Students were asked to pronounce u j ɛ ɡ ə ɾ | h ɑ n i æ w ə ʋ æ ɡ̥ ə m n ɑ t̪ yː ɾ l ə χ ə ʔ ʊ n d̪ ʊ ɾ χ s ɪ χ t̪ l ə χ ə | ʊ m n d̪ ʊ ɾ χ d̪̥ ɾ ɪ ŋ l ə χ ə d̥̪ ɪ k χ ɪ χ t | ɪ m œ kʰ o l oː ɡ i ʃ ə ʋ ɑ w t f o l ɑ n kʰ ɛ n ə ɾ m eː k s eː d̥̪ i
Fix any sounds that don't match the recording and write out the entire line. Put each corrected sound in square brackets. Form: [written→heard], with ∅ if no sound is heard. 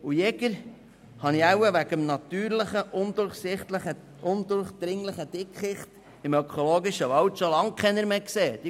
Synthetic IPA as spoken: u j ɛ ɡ ə ɾ | h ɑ n i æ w ə ʋ æ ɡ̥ ə m n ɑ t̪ yː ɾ l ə χ ə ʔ ʊ n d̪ ʊ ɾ χ s ɪ χ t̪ l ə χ ə | ʊ [m→∅] n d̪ ʊ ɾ χ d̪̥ ɾ ɪ ŋ l ə χ ə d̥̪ ɪ k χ ɪ χ t | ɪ m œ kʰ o l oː ɡ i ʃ ə ʋ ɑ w t [f→ʃ] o l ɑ [n→ŋ] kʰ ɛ n ə ɾ m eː k s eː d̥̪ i